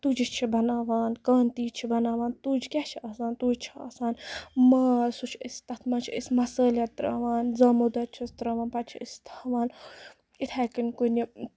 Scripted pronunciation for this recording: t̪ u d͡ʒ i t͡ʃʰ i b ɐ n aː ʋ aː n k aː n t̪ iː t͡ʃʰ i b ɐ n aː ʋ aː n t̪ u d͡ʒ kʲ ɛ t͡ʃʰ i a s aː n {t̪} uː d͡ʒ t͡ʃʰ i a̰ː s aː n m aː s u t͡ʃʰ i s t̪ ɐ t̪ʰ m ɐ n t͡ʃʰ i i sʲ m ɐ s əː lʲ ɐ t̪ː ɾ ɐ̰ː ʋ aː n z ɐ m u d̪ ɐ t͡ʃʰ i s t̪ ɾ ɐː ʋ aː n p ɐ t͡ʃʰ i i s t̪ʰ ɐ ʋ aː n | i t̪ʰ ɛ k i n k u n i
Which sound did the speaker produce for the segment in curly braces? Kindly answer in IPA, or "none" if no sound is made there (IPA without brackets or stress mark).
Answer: t̪